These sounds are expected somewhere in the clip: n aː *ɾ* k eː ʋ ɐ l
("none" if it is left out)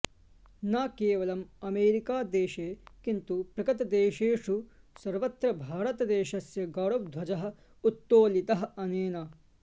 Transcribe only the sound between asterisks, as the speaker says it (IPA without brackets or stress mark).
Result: none